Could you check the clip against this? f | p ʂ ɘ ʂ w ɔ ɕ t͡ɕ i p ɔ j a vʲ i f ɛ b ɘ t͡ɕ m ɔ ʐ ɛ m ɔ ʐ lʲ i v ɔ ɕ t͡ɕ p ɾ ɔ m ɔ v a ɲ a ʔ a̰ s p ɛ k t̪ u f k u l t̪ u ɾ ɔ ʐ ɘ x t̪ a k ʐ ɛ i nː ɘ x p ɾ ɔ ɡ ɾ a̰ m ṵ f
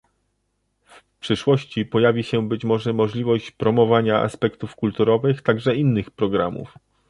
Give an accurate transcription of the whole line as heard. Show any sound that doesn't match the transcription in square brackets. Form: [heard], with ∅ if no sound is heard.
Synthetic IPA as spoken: f | p ʂ ɘ ʂ w ɔ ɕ t͡ɕ i p ɔ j a vʲ i [ɕ] ɛ b ɘ t͡ɕ m ɔ ʐ ɛ m ɔ ʐ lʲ i v ɔ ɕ t͡ɕ p ɾ ɔ m ɔ v a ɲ a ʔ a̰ s p ɛ k t̪ u f k u l t̪ u ɾ ɔ [v] ɘ x t̪ a [ɡ] ʐ ɛ i nː ɘ x p ɾ ɔ ɡ ɾ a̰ m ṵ f

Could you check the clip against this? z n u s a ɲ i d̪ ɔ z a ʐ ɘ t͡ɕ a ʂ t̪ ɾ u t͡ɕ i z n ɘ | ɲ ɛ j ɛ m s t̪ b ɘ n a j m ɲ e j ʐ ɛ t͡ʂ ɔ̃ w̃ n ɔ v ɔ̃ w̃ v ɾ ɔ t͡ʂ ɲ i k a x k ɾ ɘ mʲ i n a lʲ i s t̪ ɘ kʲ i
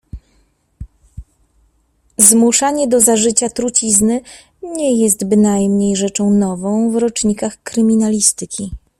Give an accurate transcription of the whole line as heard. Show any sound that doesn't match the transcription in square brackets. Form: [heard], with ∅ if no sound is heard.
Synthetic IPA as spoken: z [m] u [ʂ] a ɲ [ɛ] d̪ ɔ z a ʐ ɘ t͡ɕ a [∅] t̪ ɾ u t͡ɕ i z n ɘ | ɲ ɛ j ɛ [∅] s t̪ b ɘ n a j m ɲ e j ʐ ɛ t͡ʂ ɔ̃ w̃ n ɔ v ɔ̃ w̃ v ɾ ɔ t͡ʂ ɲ i k a x k ɾ ɘ mʲ i n a lʲ i s t̪ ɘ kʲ i

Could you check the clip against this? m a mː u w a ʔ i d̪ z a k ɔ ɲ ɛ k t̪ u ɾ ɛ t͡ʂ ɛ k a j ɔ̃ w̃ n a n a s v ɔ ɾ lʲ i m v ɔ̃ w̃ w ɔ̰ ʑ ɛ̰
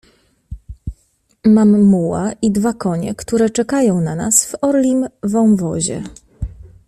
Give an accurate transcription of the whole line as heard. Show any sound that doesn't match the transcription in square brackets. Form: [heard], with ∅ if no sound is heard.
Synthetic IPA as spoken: m a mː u w a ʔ i d̪ [v] a k ɔ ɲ ɛ k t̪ u ɾ ɛ t͡ʂ ɛ k a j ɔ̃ w̃ n a n a s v ɔ ɾ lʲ i m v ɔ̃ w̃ [v] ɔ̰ ʑ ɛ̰

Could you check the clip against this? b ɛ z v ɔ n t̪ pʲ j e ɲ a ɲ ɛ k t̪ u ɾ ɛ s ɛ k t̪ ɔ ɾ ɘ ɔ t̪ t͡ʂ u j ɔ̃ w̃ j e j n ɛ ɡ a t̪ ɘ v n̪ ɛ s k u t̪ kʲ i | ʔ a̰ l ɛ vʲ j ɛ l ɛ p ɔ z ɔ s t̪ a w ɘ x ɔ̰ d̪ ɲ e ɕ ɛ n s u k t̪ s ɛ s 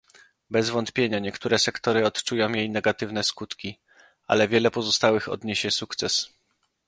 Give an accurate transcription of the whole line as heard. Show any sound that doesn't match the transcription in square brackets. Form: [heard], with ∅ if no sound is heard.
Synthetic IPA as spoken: b ɛ z v ɔ n t̪ pʲ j e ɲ a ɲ ɛ k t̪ u ɾ ɛ s ɛ k t̪ ɔ ɾ ɘ ɔ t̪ t͡ʂ u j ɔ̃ w̃ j e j n ɛ ɡ a t̪ ɘ v n̪ ɛ s k u t̪ kʲ i | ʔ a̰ l ɛ vʲ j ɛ l ɛ p ɔ z ɔ s t̪ a w ɘ x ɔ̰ d̪ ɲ e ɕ ɛ [∅] s u k t̪ s ɛ s

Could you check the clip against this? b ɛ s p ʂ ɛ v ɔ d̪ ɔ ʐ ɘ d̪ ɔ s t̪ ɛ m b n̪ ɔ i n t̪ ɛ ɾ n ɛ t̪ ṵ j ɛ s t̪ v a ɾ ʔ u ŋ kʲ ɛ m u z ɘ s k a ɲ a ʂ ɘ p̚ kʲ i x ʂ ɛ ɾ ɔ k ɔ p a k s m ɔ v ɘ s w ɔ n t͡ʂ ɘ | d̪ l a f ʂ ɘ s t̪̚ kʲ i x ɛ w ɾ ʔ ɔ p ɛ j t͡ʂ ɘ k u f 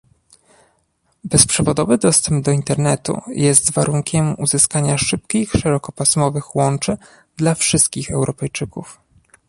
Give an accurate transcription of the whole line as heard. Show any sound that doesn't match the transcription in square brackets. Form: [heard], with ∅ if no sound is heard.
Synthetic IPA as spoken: b ɛ s p ʂ ɛ v ɔ d̪ ɔ [v] ɘ d̪ ɔ s t̪ ɛ m b [d̪] ɔ i n t̪ ɛ ɾ n ɛ t̪ ṵ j ɛ s t̪ v a ɾ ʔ u ŋ kʲ ɛ m u z ɘ s k a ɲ a ʂ ɘ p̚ kʲ i x ʂ ɛ ɾ ɔ k ɔ p a [∅] s m ɔ v ɘ [x] w ɔ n t͡ʂ ɘ | d̪ l a f ʂ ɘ s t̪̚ kʲ i x ɛ w ɾ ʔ ɔ p ɛ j t͡ʂ ɘ k u f

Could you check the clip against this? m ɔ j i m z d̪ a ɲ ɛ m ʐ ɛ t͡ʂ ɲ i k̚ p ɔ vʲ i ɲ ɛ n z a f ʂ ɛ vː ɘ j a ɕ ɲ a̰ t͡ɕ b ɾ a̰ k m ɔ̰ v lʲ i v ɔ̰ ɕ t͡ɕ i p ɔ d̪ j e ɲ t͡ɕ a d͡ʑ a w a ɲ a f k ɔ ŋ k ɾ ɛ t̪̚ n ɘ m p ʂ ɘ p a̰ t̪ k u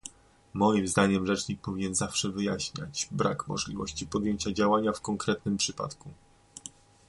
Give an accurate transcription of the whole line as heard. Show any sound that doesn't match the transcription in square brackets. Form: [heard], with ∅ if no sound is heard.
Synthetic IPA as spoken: m ɔ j i m z d̪ a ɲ ɛ m ʐ ɛ t͡ʂ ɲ i k̚ p ɔ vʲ i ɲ ɛ n z a f ʂ ɛ [v] ɘ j a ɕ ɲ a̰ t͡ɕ b ɾ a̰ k m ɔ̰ [ʐ] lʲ i v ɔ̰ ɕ t͡ɕ i p ɔ d̪ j e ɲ t͡ɕ a d͡ʑ a w a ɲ a f k ɔ ŋ k ɾ ɛ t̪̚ n ɘ m p ʂ ɘ p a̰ t̪ k u

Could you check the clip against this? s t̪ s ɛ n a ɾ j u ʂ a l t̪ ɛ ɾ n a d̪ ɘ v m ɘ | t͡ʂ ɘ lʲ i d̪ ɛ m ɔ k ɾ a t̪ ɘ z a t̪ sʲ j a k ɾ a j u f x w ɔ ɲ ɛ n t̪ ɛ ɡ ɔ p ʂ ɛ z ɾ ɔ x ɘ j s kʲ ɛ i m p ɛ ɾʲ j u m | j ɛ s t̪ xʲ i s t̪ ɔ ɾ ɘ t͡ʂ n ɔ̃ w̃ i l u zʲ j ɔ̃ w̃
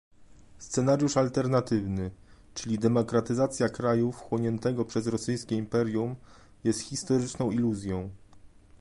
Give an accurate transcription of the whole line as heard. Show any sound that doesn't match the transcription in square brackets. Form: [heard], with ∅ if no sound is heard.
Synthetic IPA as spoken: s t̪ s ɛ n a ɾ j u ʂ a l t̪ ɛ ɾ n a [t̪] ɘ v [n] ɘ | t͡ʂ ɘ lʲ i d̪ ɛ m ɔ k ɾ a t̪ ɘ z a t̪ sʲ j a k ɾ a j u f x w ɔ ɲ ɛ n t̪ ɛ ɡ ɔ p ʂ ɛ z ɾ ɔ [s] ɘ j s kʲ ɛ i m p ɛ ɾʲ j u m | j ɛ s t̪ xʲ i s t̪ ɔ ɾ ɘ t͡ʂ n ɔ̃ w̃ i l u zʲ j ɔ̃ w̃

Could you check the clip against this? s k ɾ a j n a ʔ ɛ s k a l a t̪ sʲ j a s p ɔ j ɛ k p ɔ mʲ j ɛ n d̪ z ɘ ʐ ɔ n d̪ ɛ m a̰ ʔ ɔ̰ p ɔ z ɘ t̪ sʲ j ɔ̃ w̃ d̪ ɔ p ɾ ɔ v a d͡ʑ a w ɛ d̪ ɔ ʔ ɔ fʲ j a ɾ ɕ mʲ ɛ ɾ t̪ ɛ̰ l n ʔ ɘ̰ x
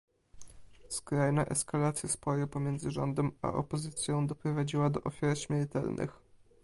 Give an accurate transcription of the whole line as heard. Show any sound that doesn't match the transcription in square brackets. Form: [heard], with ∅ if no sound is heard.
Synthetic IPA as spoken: s k ɾ a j n a ʔ ɛ s k a l a t̪ sʲ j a s p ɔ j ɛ [∅] p ɔ mʲ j ɛ n d̪ z ɘ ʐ ɔ n d̪ ɛ m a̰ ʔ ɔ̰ p ɔ z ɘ t̪ sʲ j ɔ̃ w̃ d̪ ɔ p ɾ ɔ v a d͡ʑ [i] w [a] d̪ ɔ ʔ ɔ fʲ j a ɾ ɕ mʲ ɛ ɾ t̪ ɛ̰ l n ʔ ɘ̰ x

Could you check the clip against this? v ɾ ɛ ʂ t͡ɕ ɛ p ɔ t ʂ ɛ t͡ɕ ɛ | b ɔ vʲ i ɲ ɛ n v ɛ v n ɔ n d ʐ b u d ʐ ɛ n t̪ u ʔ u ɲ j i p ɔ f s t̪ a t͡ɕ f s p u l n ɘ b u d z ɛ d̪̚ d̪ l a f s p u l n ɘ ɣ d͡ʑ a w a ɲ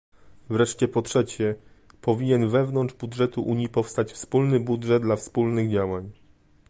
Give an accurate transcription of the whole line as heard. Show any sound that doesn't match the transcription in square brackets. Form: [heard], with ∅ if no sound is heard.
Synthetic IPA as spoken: v ɾ ɛ ʂ t͡ɕ ɛ p ɔ t ʂ ɛ t͡ɕ ɛ | [p] ɔ vʲ i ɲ ɛ n v ɛ v n ɔ n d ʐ b u d ʐ ɛ [∅] t̪ u ʔ u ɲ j i p ɔ f s t̪ a t͡ɕ f s p u l n ɘ b u d [ʐ] ɛ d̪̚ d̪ l a f s p u l n ɘ ɣ d͡ʑ a w a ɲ

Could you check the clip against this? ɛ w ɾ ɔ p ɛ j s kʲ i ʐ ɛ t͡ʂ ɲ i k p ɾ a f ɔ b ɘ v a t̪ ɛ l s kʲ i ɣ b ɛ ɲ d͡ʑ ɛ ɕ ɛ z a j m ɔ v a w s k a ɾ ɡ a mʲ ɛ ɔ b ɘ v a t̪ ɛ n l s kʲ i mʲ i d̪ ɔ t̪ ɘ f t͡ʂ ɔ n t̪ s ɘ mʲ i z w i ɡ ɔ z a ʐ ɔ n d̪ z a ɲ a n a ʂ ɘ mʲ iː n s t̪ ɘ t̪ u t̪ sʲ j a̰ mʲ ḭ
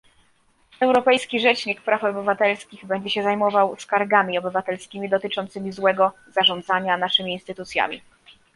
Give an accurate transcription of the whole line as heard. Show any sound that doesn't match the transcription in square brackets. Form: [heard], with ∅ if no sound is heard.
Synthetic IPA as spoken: ɛ w ɾ ɔ p ɛ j s kʲ i ʐ ɛ t͡ʂ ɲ i k p ɾ a f ɔ b ɘ v a t̪ ɛ l s kʲ i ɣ b ɛ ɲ d͡ʑ ɛ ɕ ɛ z a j m ɔ v a w s k a ɾ ɡ a mʲ [i] ɔ b ɘ v a t̪ ɛ [∅] l s kʲ i mʲ i d̪ ɔ t̪ ɘ [∅] t͡ʂ ɔ n t̪ s ɘ mʲ i z w [ɛ] ɡ ɔ z a ʐ ɔ n d̪ z a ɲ a n a ʂ ɘ mʲ iː n s t̪ ɘ t̪ u t̪ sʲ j a̰ mʲ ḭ

